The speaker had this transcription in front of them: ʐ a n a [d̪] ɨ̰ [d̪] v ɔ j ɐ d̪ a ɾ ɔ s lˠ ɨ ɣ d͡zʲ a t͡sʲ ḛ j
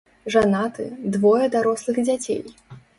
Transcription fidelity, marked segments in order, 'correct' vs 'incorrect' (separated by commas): incorrect, correct